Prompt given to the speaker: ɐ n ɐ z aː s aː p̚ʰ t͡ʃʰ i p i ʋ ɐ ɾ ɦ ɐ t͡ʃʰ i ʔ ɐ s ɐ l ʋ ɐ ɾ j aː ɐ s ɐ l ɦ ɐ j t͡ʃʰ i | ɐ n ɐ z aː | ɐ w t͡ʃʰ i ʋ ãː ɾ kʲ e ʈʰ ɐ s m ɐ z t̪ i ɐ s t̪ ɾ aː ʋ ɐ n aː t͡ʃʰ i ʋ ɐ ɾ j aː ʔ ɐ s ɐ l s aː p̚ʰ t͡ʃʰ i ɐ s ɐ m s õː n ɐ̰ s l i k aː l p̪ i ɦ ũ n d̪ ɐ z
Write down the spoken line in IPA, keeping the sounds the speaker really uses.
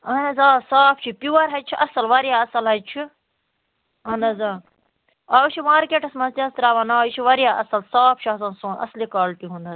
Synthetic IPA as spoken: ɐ n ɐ z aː s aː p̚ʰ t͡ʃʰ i p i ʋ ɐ ɾ ɦ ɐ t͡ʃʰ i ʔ ɐ s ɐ l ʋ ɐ ɾ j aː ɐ s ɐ l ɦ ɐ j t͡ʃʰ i | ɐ n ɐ z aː | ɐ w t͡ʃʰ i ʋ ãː ɾ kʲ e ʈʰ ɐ s m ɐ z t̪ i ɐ s t̪ ɾ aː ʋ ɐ n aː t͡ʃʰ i ʋ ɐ ɾ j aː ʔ ɐ s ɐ l s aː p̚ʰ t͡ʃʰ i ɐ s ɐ n s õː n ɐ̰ s l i k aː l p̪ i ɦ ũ n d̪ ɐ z